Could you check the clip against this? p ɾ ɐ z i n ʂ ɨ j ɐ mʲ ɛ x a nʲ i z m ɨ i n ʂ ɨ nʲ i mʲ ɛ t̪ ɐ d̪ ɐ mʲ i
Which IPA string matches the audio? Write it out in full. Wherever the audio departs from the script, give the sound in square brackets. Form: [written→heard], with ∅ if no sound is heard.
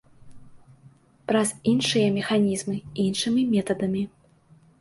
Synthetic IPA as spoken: p ɾ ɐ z i n ʂ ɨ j ɐ mʲ ɛ x a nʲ i z m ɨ i n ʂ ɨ [nʲ→mʲ] i mʲ ɛ t̪ ɐ d̪ ɐ mʲ i